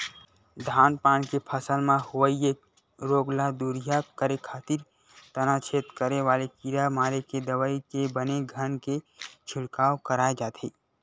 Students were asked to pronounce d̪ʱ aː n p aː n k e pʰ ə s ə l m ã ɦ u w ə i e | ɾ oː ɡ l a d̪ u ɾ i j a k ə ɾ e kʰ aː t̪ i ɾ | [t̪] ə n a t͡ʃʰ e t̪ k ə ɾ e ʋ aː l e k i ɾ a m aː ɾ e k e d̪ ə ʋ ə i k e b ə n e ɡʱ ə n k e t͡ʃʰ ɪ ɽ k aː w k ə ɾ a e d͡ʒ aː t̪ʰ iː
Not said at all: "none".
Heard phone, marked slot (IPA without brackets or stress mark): t̪